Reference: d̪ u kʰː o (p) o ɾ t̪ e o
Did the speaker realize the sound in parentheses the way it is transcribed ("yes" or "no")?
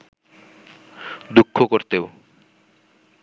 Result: no